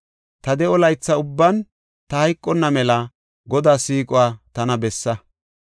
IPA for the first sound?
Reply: t̪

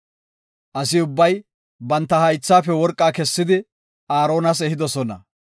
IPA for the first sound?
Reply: ʔ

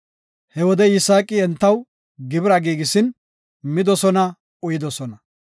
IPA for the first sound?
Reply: h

